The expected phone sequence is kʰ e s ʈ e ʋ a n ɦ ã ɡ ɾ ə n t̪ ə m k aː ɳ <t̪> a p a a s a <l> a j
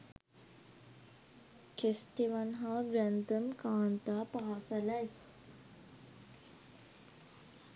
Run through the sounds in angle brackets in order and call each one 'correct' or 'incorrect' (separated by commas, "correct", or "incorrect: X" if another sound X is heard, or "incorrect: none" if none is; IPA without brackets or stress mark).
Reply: correct, correct